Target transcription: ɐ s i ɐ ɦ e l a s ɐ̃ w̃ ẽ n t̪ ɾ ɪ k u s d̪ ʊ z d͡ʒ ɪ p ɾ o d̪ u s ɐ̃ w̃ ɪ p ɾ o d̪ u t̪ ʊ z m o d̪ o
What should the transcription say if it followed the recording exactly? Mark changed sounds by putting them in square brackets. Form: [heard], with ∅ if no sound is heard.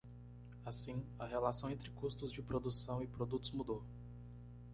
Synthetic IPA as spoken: [a] s [ĩ] ɐ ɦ e l a s ɐ̃ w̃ ẽ n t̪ ɾ ɪ k u s [t̪] ʊ z d͡ʒ ɪ p ɾ o d̪ u s ɐ̃ w̃ ɪ p ɾ o d̪ u t̪ ʊ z m [u] d̪ o